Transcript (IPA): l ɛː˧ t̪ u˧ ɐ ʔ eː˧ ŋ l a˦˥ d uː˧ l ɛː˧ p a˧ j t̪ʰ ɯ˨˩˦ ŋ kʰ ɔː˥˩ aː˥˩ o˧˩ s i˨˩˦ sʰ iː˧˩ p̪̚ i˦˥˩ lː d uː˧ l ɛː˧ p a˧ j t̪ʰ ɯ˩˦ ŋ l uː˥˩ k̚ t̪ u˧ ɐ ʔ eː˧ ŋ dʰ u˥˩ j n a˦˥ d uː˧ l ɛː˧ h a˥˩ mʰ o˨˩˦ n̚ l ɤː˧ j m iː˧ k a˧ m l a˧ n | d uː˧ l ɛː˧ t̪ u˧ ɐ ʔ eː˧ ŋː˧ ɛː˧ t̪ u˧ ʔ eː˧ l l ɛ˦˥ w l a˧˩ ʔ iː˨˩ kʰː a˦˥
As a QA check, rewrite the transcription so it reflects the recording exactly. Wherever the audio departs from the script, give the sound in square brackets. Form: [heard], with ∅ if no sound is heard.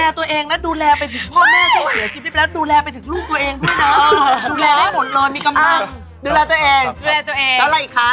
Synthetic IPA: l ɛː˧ t̪ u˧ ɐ ʔ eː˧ ŋ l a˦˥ d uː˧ l ɛː˧ p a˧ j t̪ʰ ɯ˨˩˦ ŋ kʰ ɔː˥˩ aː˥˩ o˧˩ s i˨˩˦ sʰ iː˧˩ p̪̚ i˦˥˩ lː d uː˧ l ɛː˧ p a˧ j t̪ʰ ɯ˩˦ ŋ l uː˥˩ k̚ t̪ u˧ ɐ ʔ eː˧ ŋ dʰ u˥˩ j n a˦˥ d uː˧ l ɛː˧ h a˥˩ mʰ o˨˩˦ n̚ l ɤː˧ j m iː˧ k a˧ m l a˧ [ŋ] | d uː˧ l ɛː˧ t̪ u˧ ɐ ʔ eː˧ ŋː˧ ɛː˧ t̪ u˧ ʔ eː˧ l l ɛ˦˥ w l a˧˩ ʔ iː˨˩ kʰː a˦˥